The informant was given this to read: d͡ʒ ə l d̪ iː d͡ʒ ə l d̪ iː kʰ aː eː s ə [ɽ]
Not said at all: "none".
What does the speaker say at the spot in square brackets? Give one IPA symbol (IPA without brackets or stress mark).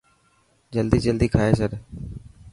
ɾ